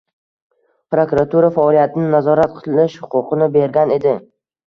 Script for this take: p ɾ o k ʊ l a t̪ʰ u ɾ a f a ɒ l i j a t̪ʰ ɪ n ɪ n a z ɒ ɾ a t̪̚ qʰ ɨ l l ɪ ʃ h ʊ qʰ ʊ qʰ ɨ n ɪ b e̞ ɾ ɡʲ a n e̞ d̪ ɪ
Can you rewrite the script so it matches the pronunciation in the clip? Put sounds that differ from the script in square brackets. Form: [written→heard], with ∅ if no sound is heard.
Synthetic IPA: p ɾ o k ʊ [l→ɾ] a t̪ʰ u ɾ a f a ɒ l i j a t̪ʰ ɪ n ɪ n a z ɒ ɾ a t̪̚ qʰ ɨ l l ɪ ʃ h ʊ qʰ ʊ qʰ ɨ n ɪ b e̞ ɾ ɡʲ a n e̞ d̪ ɪ

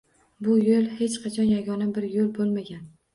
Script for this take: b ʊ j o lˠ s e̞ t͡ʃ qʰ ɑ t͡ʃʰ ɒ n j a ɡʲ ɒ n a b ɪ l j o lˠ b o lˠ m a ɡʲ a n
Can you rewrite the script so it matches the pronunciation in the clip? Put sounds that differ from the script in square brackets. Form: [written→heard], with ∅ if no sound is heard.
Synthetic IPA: b ʊ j o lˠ [s→h] e̞ t͡ʃ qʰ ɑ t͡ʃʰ ɒ n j a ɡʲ ɒ n a b ɪ [l→ɾ] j o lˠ b o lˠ m a ɡʲ a n

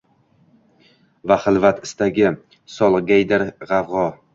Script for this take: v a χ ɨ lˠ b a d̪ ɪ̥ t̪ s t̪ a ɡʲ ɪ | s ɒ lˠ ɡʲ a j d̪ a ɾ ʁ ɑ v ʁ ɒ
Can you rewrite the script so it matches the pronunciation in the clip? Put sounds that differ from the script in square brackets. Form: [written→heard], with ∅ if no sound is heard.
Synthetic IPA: v a χ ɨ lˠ [b→v] a [d̪→t̪] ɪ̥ [t̪→∅] s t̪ a ɡʲ ɪ | s ɒ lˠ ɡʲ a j d̪ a ɾ ʁ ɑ v ʁ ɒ

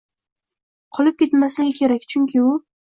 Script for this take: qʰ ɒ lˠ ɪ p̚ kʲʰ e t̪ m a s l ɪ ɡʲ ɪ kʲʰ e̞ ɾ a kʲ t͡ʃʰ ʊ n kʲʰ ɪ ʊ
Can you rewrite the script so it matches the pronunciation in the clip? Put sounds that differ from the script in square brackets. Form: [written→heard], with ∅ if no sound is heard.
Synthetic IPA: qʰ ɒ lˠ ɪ p̚ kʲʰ e t̪ m a s l ɪ ɡʲ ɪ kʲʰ e̞ ɾ a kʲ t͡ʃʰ ʊ [n→ŋ] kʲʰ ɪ ʊ

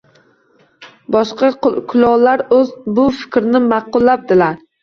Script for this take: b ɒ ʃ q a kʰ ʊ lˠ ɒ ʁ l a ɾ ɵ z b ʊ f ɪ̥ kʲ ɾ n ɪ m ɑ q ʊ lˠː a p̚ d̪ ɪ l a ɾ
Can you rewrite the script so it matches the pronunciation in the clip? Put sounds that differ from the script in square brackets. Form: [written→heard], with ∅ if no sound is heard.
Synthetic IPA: b ɒ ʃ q [a→ɑ] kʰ ʊ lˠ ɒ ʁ l a ɾ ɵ z b ʊ f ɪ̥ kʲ ɾ n ɪ m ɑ q ʊ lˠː a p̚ d̪ ɪ l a ɾ

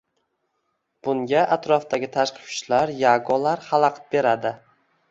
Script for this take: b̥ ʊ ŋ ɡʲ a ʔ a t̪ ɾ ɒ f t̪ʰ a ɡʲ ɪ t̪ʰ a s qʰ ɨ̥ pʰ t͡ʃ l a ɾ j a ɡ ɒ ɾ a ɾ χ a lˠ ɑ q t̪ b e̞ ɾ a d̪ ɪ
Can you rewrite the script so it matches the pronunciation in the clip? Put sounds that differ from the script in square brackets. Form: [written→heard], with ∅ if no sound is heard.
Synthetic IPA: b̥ ʊ ŋ ɡʲ a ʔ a t̪ ɾ ɒ f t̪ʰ a ɡʲ ɪ t̪ʰ a [s→ʃ] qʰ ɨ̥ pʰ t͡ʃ l a ɾ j a ɡ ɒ [ɾ→l] a ɾ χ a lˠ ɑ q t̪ b e̞ ɾ a d̪ ɪ

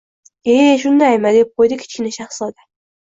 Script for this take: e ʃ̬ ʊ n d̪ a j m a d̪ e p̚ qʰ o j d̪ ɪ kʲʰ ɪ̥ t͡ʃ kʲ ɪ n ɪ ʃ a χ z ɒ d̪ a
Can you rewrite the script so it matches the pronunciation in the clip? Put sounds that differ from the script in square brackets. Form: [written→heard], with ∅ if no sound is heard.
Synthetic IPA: e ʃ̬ ʊ n d̪ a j m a d̪ e p̚ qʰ o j d̪ ɪ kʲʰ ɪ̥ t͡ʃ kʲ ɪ n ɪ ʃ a χ [z→s] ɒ d̪ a

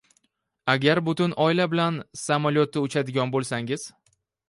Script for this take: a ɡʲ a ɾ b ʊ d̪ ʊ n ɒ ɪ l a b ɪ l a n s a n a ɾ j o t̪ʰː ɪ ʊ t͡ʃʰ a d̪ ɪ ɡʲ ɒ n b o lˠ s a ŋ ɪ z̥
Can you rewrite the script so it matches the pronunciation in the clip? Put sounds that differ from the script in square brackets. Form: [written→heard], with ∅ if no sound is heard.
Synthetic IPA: a ɡʲ a ɾ b ʊ [d̪→t̪] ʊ n ɒ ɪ l a b ɪ l a n s a [n→m] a [ɾ→l] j o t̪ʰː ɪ ʊ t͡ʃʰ a d̪ ɪ ɡʲ ɒ n b o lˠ s a ŋ ɪ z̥

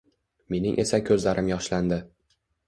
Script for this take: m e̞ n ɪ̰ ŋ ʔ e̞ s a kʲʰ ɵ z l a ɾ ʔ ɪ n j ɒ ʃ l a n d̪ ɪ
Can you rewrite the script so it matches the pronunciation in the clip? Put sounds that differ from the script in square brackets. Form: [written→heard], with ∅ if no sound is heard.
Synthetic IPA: m e̞ n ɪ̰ ŋ ʔ e̞ s a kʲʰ ɵ z l a ɾ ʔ ɪ [n→m] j ɒ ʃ l a n d̪ ɪ

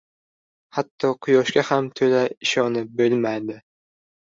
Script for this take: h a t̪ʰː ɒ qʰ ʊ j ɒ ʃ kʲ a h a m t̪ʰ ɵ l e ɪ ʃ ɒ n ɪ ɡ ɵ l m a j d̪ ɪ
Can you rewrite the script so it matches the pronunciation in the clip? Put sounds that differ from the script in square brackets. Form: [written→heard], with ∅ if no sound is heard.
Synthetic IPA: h a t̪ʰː ɒ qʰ ʊ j ɒ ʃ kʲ a h a m t̪ʰ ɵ l [e→a] ɪ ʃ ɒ n ɪ [ɡ→b] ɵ l m a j d̪ ɪ

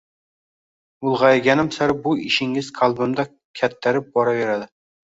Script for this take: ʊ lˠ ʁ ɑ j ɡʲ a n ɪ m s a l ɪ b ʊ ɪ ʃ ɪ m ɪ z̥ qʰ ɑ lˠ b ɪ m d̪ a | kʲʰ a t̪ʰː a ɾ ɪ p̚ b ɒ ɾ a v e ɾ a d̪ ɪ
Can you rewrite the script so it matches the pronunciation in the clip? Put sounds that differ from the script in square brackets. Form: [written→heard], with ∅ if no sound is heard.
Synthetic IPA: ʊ lˠ ʁ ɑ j ɡʲ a n ɪ m s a [l→ɾ] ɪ b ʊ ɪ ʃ ɪ [m→ŋ] ɪ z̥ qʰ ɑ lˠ b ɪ m d̪ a | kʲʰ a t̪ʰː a ɾ ɪ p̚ b ɒ ɾ a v e ɾ a d̪ ɪ

